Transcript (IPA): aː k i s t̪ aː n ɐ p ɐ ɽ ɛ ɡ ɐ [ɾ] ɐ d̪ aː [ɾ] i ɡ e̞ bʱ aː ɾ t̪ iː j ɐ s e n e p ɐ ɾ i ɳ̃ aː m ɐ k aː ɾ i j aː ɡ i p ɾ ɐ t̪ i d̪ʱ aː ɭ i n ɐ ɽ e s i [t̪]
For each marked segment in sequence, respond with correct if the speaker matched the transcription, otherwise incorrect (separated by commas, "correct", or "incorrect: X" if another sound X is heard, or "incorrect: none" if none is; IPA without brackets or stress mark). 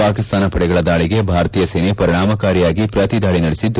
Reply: incorrect: ɭ, incorrect: ɭ, incorrect: d̪